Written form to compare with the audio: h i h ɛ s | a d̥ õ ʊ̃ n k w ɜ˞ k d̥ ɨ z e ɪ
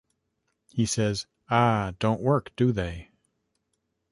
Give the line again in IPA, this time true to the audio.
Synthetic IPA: h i s ɛ z | a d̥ õ ʊ̃ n ʔ w ɜ˞ k d̥ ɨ ð e ɪ

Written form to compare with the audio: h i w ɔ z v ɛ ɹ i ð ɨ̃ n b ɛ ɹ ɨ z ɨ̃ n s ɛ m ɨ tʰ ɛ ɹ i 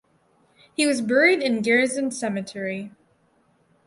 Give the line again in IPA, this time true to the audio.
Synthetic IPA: h i w ʌ z b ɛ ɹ i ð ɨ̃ n ɡ ɛ ɹ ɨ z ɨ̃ n s ɛ m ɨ tʰ ɛ ɹ i

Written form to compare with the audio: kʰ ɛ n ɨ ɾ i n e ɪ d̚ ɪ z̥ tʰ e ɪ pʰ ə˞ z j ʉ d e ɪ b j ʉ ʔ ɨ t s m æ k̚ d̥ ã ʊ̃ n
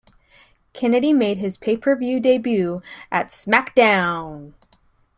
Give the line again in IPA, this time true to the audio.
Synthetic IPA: kʰ ɛ n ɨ ɾ i m e ɪ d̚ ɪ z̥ pʰ e ɪ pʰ ə˞ v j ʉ d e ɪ b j ʉ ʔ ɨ t s m æ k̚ d̥ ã ʊ̃ n

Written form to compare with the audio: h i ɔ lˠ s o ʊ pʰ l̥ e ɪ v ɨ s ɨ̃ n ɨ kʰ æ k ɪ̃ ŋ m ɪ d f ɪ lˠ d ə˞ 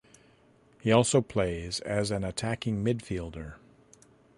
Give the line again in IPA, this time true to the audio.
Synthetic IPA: h i ɔ lˠ s o ʊ pʰ l̥ e ɪ z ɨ z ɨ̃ n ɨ tʰ æ k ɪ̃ ŋ m ɪ d f i lˠ d ə˞

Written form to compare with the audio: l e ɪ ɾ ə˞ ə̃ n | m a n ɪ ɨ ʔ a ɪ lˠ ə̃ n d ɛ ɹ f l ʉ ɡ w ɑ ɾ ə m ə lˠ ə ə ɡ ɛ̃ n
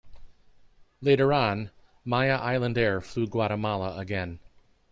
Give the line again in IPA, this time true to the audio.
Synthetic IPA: l e ɪ ɾ ə˞ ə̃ n | m a ɪ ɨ ʔ a ɪ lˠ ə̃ n d ɛ ɹ f l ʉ ɡ w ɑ ɾ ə m ɑ lˠ ə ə ɡ ɛ̃ n

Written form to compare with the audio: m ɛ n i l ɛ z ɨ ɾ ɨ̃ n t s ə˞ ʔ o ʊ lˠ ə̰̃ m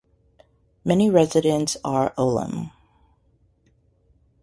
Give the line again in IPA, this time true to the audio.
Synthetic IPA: m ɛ n i ɹ ɛ z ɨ ɾ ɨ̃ n t s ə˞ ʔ o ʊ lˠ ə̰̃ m

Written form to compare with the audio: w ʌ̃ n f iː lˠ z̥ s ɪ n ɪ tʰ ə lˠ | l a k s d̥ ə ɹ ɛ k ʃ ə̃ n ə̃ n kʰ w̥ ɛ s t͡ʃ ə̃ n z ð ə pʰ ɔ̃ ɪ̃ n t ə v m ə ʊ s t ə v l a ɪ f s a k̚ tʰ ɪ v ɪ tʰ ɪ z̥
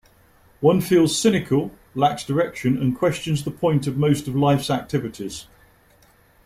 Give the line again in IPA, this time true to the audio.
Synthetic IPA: w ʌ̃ n f iː lˠ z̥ s ɪ n ɪ kʰ ə lˠ | l a k s d̥ ə ɹ ɛ k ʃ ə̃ n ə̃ n kʰ w̥ ɛ s t͡ʃ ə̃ n z ð ə pʰ ɔ̃ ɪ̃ n t ə v m ə ʊ s t ə v l a ɪ f s a k̚ tʰ ɪ v ɪ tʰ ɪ z̥

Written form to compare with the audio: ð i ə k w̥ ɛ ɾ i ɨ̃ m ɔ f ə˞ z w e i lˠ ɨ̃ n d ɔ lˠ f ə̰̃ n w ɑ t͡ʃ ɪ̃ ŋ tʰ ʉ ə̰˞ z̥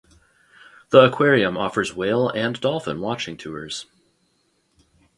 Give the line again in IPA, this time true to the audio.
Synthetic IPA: ð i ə kʰ w̥ ɛ ɹ i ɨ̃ m ɔ f ə˞ z w e ɪ lˠ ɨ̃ n d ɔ lˠ f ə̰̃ n w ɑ t͡ʃ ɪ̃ ŋ tʰ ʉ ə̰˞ z̥

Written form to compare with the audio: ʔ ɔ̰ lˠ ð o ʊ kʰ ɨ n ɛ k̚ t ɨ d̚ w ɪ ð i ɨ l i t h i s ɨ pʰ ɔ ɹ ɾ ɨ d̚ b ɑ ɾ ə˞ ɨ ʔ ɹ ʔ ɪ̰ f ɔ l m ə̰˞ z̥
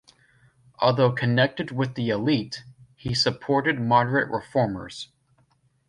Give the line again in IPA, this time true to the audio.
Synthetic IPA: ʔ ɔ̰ lˠ ð o ʊ kʰ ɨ n ɛ k̚ t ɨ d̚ w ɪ ð i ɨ l i t h i s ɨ pʰ ɔ ɹ ɾ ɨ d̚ m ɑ ɾ ə˞ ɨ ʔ ɹ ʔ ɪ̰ f ɔ ɹ m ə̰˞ z̥

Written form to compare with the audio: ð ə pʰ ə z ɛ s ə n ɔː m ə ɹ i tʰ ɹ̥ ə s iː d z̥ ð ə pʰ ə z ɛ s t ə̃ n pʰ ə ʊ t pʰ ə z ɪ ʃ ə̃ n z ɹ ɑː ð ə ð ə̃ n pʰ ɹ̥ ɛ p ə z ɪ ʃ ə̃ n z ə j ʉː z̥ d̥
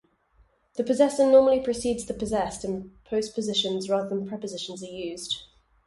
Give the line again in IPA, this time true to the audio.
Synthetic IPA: ð ə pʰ ə z ɛ s ə n ɔː m ə l i pʰ ɹ̥ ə s iː d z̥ ð ə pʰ ə z ɛ s t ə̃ n pʰ ə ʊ s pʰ ə z ɪ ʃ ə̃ n z ɹ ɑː ð ə ð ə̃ n pʰ ɹ̥ ɛ p ə z ɪ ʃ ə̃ n z ə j ʉː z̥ d̥

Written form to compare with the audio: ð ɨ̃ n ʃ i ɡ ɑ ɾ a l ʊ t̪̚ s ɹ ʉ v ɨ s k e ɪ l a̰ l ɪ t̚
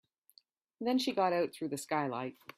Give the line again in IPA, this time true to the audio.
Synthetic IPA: ð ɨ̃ n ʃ i ɡ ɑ ɾ a ʊ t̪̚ θ ɹ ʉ ð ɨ s k a ɪ l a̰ ɪ t̚

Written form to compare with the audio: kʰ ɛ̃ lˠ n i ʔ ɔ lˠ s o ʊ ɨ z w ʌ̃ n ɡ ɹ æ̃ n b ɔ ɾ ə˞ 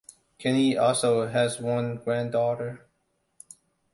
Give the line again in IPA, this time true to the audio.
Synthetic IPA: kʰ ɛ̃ n i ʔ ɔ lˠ s o ʊ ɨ z w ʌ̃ n ɡ ɹ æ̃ n d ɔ ɾ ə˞

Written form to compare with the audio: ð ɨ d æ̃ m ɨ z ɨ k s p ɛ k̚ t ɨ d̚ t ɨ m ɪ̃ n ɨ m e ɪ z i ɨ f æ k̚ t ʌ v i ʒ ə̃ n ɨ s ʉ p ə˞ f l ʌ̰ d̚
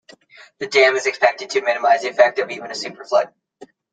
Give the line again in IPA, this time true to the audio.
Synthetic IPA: ð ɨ d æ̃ m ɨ z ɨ k s p ɛ k̚ t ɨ d̚ tʰ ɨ m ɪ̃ n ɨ m a ɪ z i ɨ f ɛ k̚ t ʌ v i v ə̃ n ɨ s ʉ p ə˞ f l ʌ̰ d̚

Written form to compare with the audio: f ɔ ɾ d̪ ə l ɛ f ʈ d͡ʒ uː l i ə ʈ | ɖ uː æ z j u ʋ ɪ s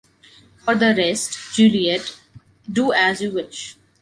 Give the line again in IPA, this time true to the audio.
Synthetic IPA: f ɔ ɾ d̪ ə ɾ ɛ s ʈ d͡ʒ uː l i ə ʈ | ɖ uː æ z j u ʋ ɪ ʃ

